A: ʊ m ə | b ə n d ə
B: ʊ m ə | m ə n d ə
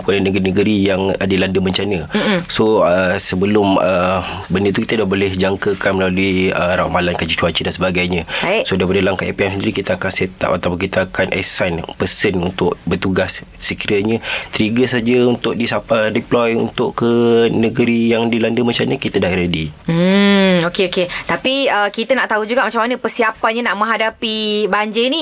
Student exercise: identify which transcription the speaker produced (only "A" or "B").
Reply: A